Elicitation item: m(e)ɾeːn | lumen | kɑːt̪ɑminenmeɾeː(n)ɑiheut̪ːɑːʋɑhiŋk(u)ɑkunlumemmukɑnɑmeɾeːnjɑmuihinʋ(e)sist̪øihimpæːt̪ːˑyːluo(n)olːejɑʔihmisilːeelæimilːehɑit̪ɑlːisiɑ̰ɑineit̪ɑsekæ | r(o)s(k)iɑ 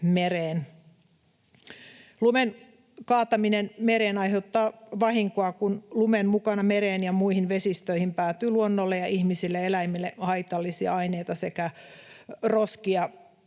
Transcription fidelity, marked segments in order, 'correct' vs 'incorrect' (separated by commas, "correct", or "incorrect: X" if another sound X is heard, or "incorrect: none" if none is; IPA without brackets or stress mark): correct, correct, incorrect: o, correct, incorrect: nː, correct, correct